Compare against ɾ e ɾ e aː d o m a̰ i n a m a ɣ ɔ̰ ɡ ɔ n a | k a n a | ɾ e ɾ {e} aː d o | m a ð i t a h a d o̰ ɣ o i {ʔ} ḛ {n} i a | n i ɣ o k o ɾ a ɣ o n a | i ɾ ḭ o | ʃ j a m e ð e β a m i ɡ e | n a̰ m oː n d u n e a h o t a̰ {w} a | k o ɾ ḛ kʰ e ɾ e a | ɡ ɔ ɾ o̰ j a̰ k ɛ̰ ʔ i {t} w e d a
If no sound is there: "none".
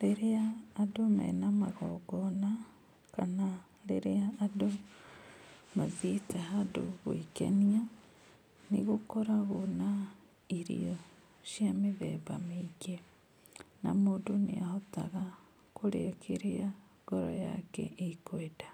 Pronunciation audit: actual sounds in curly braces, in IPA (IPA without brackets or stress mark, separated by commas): e, k, n, ɣ, k